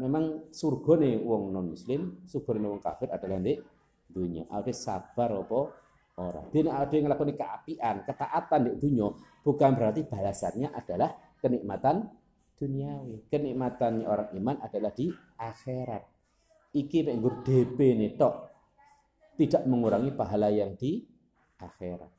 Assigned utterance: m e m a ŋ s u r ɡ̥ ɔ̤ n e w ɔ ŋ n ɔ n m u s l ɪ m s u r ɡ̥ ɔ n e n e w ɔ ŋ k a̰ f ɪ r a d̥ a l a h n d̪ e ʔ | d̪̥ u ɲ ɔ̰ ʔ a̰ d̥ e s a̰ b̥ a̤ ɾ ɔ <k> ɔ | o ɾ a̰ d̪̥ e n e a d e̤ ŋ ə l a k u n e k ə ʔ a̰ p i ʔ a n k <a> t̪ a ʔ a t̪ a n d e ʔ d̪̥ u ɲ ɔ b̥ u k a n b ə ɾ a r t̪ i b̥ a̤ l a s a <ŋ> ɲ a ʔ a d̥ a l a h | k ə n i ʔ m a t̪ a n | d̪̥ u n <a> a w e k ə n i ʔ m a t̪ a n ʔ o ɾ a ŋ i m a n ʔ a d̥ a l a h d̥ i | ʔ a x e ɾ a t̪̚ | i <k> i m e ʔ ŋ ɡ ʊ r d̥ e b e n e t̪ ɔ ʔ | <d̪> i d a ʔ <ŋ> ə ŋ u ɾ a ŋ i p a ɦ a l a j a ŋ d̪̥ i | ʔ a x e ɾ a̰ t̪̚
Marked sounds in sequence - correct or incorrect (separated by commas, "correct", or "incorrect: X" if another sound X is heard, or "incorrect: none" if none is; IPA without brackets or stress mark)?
incorrect: p, incorrect: ə, incorrect: n, incorrect: i, correct, incorrect: t̪, incorrect: m